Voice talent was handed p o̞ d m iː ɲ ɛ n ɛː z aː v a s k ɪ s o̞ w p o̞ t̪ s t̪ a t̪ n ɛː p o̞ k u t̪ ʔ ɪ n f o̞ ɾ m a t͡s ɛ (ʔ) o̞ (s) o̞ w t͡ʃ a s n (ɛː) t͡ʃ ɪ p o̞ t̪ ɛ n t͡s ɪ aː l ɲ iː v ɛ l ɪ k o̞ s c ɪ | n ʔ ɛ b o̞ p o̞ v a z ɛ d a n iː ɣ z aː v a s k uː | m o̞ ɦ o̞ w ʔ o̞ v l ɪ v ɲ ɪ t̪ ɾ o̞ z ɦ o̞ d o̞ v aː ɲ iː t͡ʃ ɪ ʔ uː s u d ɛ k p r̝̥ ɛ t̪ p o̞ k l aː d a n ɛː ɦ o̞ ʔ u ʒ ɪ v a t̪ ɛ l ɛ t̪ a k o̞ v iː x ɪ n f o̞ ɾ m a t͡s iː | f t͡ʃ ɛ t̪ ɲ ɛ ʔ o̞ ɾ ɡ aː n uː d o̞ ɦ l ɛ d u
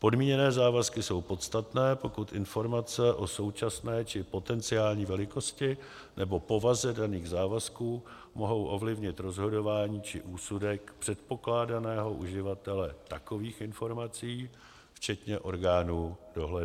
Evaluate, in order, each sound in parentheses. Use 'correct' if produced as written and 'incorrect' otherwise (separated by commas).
correct, correct, correct